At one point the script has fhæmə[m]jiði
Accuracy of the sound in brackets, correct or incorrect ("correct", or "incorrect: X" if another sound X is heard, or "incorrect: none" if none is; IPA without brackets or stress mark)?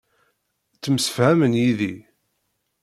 incorrect: n